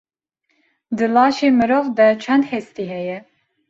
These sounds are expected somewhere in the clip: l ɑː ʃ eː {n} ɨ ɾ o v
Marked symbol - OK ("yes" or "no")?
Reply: no